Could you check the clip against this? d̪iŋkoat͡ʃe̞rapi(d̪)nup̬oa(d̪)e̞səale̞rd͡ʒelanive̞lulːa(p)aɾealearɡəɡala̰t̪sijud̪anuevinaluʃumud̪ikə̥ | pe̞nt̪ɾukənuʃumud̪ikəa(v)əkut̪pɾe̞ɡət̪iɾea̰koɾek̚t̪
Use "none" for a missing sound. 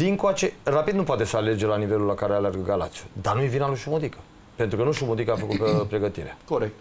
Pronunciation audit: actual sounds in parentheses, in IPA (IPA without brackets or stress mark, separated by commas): d̪, t̪, k, f